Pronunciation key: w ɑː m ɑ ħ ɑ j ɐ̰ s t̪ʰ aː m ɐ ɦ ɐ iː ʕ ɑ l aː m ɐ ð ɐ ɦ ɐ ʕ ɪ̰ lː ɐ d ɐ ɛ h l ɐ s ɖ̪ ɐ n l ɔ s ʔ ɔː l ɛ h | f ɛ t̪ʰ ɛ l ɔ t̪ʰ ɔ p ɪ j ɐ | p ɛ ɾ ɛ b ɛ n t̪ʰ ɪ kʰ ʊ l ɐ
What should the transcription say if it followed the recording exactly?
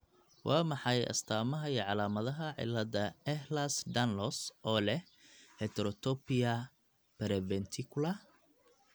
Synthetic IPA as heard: w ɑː m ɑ ħ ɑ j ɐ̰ s t̪ʰ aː m ɐ ɦ ɐ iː ʕ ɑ l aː m ɐ ð ɐ ɦ ɐ ʕ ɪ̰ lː ɐ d ɐ ɛ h l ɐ s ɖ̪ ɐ n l ɔ s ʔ ɔː l ɛ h | h ɛ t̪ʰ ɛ ɾ ɔ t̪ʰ ɔ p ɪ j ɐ | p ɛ ɾ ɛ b ɛ n t̪ʰ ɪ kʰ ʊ l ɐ